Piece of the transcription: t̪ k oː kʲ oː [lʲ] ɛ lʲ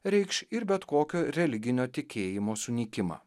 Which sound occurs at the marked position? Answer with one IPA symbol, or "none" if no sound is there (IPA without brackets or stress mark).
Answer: ɾʲ